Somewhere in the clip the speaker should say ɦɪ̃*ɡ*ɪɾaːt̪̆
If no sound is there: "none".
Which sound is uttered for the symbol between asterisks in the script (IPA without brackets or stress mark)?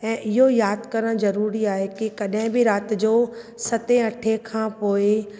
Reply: b